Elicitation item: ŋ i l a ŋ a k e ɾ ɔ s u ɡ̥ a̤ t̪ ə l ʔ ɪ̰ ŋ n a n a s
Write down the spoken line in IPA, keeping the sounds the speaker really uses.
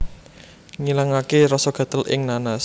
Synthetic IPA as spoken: ŋ i l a ŋ a k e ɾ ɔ s ɔ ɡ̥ a̤ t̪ ə l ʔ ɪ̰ ŋ n a n a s